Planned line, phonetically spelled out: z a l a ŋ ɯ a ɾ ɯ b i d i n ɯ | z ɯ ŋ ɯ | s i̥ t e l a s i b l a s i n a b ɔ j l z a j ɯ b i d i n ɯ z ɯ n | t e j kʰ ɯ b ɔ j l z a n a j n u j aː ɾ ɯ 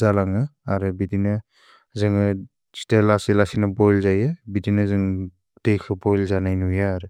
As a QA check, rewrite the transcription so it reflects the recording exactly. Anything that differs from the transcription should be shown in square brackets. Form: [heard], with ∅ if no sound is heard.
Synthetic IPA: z a l a ŋ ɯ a ɾ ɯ b i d i n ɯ | z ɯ ŋ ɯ | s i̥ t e l a s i [∅] l a s i n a b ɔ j l z a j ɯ b i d i n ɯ z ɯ [ŋ] | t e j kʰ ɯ b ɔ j l z a n a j n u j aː ɾ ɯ